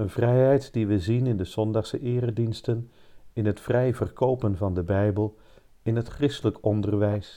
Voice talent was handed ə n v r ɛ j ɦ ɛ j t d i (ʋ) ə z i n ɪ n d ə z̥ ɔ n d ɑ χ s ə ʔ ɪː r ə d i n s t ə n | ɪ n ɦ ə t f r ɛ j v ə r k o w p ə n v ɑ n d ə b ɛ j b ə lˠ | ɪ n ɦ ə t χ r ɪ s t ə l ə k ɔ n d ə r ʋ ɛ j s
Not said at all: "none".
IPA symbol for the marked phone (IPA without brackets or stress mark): ʋ